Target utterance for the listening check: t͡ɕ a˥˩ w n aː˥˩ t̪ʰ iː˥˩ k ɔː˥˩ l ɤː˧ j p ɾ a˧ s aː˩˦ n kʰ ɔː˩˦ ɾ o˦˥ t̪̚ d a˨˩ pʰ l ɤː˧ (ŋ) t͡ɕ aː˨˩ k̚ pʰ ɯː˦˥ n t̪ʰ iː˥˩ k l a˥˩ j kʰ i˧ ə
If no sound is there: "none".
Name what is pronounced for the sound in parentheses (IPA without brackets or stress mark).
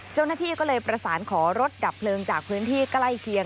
ŋ